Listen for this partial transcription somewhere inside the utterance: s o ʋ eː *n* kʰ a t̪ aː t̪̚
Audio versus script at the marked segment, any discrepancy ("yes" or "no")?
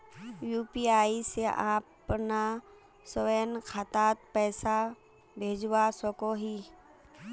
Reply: no